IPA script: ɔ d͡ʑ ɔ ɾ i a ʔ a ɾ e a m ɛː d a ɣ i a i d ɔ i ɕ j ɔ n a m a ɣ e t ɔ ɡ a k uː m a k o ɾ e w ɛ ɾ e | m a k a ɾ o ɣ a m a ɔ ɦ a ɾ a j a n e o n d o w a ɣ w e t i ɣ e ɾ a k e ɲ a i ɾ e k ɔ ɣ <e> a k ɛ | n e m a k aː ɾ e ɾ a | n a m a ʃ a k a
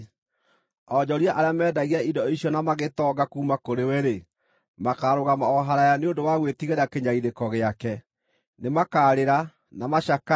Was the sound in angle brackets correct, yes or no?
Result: yes